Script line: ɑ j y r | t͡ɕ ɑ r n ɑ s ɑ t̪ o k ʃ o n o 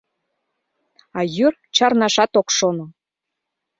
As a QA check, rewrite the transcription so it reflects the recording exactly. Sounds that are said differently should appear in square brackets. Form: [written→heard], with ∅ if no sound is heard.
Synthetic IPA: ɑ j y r | t͡ɕ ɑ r n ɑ [s→ʃ] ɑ t̪ o k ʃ o n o